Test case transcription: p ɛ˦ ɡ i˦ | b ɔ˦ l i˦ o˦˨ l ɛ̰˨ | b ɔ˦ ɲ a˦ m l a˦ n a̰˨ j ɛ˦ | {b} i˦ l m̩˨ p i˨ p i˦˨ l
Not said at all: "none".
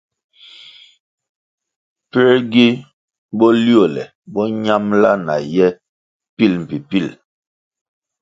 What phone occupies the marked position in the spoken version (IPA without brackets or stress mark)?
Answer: p